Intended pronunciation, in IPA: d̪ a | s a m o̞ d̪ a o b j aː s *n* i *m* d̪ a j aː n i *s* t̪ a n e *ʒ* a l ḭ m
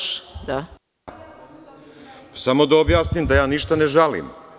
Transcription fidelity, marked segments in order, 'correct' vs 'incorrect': correct, correct, incorrect: ʃ, correct

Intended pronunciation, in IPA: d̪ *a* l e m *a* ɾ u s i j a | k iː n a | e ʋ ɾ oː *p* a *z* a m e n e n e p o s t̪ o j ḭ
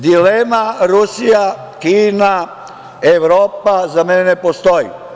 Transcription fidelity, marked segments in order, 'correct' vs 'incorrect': incorrect: i, correct, correct, correct

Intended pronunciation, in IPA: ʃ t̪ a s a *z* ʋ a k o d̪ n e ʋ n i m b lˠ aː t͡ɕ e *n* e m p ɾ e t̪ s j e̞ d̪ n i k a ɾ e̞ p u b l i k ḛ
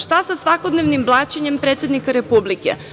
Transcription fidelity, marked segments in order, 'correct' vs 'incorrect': incorrect: s, incorrect: ɲ

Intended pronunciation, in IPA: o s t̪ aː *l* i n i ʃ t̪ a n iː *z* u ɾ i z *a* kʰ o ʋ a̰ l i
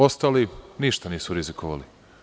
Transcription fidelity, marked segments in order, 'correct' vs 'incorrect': correct, incorrect: s, incorrect: i

